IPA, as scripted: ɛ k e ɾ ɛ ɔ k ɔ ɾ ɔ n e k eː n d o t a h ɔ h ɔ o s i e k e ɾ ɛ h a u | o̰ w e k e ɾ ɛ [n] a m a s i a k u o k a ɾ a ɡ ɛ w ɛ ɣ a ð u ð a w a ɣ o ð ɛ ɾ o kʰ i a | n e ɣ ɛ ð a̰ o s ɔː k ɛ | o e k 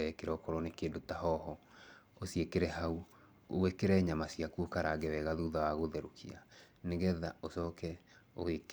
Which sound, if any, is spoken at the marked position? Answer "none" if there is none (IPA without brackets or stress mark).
ɲ